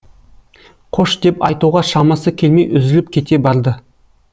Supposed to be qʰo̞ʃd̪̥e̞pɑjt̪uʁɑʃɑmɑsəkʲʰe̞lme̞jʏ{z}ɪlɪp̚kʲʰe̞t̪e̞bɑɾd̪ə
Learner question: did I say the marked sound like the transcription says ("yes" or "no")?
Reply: yes